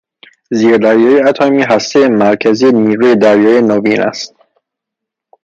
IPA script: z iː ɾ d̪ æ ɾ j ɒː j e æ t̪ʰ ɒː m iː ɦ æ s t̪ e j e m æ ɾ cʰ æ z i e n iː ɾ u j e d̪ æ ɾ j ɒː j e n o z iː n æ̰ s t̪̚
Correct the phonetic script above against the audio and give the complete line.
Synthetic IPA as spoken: z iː ɾ d̪ æ ɾ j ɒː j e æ t̪ʰ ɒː m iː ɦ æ s t̪ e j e m æ ɾ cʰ æ z i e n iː ɾ u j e d̪ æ ɾ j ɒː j e n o v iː n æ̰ s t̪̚

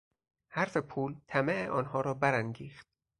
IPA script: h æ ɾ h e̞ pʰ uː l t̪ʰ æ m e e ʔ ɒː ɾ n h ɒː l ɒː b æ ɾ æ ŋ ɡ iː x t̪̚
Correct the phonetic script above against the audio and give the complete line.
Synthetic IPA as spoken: h æ ɾ f e̞ pʰ uː l t̪ʰ æ m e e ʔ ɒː n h ɒː ɾ ɒː b æ ɾ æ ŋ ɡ iː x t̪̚

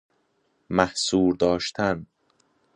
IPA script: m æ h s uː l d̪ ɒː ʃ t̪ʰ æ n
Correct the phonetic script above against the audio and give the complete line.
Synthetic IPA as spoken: m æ h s uː ɾ d̪ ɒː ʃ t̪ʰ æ n

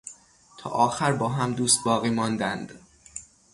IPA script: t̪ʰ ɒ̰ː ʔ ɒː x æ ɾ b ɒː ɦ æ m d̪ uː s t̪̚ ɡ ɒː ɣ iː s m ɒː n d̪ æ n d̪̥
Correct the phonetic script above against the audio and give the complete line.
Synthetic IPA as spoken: t̪ʰ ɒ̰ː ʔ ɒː x æ ɾ b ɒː ɦ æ m d̪ uː s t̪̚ b ɒː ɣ iː m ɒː n d̪ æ n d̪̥

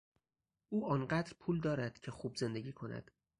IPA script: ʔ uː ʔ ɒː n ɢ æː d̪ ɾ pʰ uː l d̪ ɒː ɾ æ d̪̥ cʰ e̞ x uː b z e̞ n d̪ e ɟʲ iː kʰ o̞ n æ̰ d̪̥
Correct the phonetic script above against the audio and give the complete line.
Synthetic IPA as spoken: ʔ uː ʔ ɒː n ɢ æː d̪ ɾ pʰ uː l d̪ ɒː ɾ æ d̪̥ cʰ e̞ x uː b z e̞ n d̪ e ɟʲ iː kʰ o̞ n æ̰ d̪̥

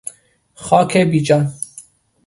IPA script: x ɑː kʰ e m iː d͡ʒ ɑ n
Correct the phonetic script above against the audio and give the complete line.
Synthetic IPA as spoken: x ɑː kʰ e b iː d͡ʒ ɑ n

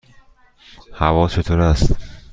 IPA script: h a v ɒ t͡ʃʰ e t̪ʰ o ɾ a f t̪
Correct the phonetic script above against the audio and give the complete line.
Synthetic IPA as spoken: h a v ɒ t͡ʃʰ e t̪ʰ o ɾ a s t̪

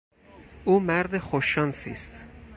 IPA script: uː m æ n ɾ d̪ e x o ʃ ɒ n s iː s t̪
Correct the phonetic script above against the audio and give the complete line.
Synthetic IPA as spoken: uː m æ ɾ d̪ e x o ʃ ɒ n s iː s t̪

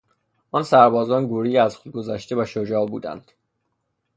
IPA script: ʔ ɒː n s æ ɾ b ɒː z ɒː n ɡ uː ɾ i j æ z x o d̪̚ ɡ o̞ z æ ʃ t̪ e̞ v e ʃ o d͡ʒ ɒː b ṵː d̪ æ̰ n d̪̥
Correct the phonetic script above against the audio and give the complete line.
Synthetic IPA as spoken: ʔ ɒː n s æ ɾ b ɒː z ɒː n ɡ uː ɾ i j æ z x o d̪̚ ɡ o̞ z æ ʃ t̪ e̞ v æ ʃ o d͡ʒ ɒː b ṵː d̪ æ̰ n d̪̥

